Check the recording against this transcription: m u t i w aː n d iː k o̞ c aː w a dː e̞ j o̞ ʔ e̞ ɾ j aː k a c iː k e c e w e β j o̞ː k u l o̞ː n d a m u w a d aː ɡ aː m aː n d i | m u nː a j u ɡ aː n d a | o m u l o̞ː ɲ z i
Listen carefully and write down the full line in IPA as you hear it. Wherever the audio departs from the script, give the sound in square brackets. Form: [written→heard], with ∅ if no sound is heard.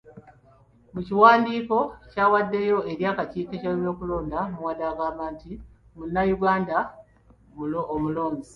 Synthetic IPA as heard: m u [t→c] i w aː n d iː k o̞ c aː w a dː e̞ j o̞ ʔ e̞ ɾ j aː k a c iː k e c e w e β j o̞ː k u l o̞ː n d a m u w a d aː ɡ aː m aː n [d→t] i | m u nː a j u ɡ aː n d a | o m u l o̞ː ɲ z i